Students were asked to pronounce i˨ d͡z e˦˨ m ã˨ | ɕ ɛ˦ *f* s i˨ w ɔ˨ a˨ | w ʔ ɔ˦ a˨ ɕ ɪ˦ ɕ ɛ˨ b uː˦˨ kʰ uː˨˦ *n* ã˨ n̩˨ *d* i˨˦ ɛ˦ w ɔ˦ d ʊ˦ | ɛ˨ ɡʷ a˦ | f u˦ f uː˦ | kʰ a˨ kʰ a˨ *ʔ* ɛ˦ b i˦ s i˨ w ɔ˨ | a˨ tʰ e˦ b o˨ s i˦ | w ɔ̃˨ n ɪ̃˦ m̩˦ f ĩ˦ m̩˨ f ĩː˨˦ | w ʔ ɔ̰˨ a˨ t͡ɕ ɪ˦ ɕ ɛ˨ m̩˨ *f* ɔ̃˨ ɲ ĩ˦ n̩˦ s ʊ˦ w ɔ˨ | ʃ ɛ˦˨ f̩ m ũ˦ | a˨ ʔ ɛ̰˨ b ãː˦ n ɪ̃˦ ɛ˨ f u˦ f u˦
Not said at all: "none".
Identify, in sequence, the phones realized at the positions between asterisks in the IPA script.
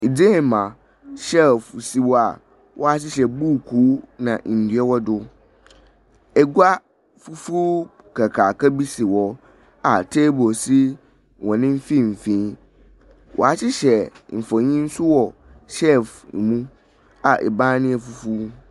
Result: f, n, d, k, f

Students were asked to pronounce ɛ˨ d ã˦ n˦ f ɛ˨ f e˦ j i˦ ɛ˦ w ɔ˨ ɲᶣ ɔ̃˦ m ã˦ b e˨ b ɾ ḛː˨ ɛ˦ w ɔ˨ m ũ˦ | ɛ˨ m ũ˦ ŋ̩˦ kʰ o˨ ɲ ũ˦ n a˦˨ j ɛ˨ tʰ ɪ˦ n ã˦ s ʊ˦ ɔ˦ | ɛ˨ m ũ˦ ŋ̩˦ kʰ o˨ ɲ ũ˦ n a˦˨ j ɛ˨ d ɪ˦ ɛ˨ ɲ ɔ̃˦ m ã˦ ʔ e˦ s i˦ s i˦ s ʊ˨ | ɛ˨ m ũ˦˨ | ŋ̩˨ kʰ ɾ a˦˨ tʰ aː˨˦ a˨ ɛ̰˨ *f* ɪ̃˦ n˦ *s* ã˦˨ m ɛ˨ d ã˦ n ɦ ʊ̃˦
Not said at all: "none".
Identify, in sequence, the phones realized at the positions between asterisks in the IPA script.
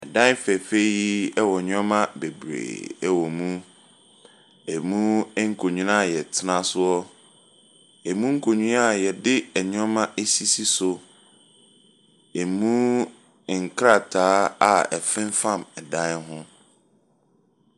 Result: f, f

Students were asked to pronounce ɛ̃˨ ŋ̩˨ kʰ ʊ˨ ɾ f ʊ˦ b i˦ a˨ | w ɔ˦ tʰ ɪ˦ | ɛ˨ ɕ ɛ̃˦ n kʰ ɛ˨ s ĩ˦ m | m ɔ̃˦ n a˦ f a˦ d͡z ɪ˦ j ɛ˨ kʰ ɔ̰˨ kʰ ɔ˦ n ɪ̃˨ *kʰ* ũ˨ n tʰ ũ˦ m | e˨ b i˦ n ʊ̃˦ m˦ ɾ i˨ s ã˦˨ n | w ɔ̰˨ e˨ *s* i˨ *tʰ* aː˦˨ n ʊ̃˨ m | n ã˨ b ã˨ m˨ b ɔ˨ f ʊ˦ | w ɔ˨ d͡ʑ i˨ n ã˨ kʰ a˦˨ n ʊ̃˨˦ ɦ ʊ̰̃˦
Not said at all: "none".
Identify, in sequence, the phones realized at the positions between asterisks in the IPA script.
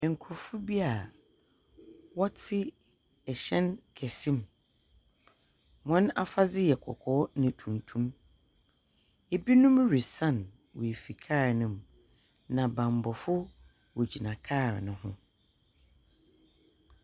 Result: tʰ, f, kʰ

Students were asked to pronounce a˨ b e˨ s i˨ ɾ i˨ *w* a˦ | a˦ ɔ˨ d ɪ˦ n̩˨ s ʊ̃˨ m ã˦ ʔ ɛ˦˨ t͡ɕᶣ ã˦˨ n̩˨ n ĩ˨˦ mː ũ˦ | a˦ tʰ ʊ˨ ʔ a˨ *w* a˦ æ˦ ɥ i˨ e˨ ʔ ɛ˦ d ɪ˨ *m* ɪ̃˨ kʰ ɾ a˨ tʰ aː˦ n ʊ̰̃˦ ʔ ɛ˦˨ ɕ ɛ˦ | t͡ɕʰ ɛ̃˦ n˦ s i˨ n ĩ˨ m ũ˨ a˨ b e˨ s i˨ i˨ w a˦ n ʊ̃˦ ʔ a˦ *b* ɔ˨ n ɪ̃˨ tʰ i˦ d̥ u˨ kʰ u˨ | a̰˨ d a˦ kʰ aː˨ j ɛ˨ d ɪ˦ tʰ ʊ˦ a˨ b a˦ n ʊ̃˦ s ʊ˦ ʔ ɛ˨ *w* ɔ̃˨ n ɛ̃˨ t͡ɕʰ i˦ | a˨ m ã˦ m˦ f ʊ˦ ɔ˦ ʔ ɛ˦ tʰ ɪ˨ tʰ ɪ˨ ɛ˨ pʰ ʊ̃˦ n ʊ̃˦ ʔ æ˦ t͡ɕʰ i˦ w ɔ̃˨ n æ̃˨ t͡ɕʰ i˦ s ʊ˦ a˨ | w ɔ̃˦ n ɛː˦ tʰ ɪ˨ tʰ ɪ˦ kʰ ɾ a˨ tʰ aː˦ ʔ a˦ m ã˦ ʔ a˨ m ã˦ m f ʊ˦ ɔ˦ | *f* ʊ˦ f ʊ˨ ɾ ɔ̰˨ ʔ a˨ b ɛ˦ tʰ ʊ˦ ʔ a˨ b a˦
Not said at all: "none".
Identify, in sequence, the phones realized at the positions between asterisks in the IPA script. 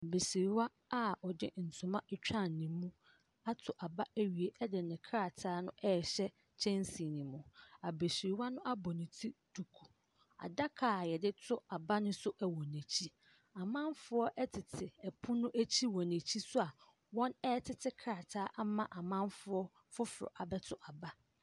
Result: w, b, n, b, w, f

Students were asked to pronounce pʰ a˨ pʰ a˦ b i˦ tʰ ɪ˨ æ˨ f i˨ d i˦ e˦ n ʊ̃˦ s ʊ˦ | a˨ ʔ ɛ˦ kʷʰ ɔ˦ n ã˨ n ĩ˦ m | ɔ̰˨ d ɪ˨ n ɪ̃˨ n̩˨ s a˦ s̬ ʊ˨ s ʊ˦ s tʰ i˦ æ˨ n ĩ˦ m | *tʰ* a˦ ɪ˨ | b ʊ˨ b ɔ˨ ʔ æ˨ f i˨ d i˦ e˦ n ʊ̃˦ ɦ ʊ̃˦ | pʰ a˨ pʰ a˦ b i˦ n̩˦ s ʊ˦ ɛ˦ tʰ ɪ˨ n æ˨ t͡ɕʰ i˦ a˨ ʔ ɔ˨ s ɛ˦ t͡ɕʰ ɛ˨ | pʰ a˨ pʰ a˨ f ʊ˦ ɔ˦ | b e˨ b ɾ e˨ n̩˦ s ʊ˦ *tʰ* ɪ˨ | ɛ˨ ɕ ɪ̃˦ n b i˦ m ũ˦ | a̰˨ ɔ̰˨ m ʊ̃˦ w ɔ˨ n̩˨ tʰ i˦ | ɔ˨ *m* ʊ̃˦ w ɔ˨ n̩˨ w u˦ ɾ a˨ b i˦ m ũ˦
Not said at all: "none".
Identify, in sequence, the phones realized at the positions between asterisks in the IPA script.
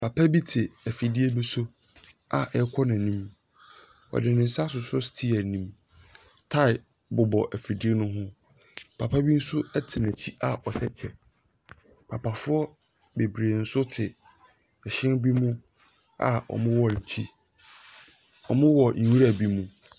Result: tʰ, tʰ, m

